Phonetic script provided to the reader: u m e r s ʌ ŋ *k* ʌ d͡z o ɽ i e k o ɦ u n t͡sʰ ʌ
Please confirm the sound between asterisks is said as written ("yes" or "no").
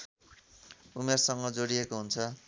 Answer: no